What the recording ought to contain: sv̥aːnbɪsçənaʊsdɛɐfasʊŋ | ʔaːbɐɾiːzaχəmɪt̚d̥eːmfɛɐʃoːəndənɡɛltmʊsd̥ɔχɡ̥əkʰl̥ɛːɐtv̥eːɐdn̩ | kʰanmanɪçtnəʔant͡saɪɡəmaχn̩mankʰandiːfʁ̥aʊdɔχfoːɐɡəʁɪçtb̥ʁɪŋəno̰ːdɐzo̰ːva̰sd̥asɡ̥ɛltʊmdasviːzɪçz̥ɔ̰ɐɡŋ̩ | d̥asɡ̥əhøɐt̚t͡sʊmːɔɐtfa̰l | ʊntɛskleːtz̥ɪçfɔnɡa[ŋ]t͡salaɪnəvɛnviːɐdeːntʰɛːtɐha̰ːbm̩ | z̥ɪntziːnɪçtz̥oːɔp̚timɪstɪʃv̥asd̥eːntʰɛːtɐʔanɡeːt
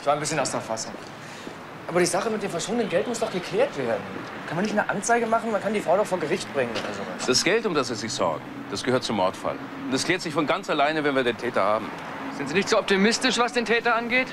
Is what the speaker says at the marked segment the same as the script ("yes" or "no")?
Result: no